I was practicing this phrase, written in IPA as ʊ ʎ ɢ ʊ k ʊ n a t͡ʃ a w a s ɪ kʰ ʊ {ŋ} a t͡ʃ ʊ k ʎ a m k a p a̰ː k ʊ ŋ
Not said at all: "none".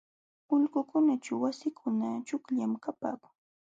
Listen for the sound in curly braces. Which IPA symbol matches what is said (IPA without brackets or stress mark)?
n